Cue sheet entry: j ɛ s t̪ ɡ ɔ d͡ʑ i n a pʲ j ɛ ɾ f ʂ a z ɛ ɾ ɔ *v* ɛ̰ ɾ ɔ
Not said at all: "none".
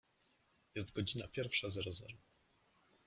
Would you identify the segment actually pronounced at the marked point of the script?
z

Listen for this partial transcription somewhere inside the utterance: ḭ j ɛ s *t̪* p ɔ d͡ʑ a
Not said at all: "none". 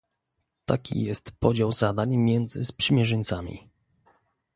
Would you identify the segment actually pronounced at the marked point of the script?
t̪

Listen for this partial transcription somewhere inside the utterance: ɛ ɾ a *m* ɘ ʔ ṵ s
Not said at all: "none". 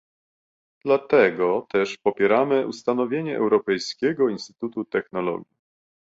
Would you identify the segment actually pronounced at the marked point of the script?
m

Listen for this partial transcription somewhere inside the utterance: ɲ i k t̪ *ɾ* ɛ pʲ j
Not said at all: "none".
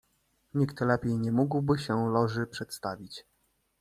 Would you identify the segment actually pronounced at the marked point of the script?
l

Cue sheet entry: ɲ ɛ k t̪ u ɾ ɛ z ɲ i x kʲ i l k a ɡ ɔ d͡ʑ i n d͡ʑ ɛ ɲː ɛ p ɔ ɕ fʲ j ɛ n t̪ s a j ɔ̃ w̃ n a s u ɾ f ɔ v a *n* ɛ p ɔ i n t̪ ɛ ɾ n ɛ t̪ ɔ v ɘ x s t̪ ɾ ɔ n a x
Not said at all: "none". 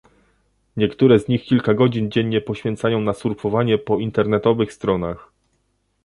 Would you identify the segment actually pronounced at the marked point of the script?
ɲ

